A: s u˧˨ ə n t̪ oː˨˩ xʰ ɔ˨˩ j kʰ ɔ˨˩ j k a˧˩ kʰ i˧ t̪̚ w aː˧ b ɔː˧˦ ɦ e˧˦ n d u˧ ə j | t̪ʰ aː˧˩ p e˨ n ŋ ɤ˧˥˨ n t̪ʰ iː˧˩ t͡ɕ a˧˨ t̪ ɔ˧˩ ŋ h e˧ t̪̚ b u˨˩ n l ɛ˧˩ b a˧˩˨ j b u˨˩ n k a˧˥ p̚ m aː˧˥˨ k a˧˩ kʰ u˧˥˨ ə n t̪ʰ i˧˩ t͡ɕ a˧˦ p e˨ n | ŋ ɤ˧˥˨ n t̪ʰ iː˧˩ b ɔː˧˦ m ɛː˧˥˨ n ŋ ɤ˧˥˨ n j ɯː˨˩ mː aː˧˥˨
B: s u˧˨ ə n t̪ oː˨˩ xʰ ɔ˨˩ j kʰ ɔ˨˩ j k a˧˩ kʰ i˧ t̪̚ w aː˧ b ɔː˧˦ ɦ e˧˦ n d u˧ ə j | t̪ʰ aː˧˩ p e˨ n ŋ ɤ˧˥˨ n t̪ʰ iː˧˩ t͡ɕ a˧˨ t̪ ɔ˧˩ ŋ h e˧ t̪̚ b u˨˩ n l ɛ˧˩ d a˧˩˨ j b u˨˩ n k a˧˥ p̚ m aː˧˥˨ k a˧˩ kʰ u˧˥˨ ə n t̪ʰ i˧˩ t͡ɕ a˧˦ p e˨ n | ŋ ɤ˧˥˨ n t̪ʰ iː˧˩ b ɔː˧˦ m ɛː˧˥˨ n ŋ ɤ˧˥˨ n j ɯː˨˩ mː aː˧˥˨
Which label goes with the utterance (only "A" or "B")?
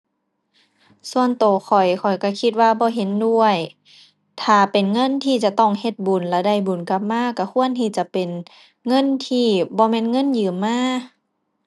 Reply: B